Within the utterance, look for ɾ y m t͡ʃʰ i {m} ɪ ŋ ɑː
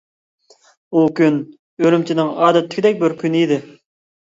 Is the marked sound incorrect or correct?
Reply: incorrect